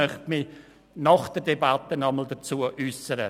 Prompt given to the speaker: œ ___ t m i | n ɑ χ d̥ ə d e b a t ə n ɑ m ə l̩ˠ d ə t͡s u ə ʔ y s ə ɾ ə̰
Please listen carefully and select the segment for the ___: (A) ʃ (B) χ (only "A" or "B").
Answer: B